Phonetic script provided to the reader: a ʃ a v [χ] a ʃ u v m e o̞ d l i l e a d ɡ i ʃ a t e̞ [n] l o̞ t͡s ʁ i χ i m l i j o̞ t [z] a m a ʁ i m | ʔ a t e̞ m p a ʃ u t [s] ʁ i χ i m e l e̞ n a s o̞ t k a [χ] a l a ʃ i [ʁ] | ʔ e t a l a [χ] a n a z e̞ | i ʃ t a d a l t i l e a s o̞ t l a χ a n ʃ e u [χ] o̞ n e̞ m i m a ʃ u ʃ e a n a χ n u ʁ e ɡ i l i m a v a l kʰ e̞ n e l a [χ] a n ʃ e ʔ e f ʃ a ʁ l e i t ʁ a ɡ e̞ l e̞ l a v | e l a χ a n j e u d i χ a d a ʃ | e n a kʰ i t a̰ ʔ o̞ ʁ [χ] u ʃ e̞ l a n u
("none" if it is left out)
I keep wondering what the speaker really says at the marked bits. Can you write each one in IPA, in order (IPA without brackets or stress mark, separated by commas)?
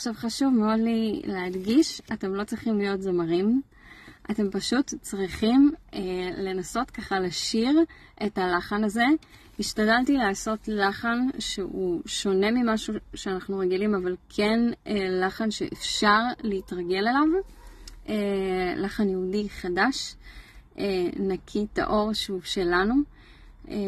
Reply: χ, m, z, t͡s, χ, ʁ, χ, ʃ, χ, ʃ